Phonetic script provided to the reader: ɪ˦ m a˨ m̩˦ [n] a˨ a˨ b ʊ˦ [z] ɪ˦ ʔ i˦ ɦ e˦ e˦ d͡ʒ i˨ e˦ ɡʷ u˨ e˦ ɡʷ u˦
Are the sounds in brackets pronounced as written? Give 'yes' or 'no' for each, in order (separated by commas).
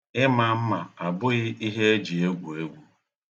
no, no